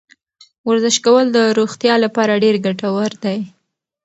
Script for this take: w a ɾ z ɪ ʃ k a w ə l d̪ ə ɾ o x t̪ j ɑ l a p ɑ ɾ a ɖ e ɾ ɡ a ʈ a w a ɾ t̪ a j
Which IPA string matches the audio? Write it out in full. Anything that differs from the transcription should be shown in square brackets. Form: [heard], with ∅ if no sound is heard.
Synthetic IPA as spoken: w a ɾ z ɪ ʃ k a w ə l d̪ ə ɾ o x t̪ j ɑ l a p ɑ ɾ a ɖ e ɾ ɡ a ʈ a w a ɾ [d̪] a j